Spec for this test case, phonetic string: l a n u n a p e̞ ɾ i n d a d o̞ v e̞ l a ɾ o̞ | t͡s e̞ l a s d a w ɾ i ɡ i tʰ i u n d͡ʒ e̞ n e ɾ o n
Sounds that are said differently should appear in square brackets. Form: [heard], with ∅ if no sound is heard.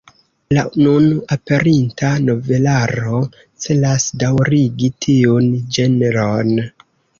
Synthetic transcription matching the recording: l a n u n a p e̞ ɾ i n [t] a [n] o̞ v e̞ l a ɾ o̞ | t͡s e̞ l a s d a w ɾ i ɡ i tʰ i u n d͡ʒ e̞ n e ɾ o n